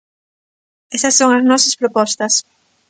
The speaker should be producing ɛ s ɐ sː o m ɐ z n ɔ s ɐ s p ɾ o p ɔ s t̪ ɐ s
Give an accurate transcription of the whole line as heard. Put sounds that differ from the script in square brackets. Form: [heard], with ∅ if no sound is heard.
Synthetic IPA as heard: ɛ s ɐ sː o [ŋ] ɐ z n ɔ s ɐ s p ɾ o p ɔ s t̪ ɐ s